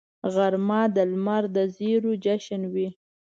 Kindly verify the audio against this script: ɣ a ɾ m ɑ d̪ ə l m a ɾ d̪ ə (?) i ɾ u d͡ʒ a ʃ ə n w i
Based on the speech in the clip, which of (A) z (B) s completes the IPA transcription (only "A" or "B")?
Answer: A